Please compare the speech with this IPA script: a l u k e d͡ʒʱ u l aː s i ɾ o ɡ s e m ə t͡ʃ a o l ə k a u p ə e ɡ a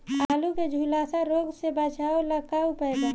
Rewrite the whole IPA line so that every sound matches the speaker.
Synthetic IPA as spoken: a l u k e d͡ʒʱ u l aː s a ɾ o ɡ s e b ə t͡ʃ a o l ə k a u p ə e ɡ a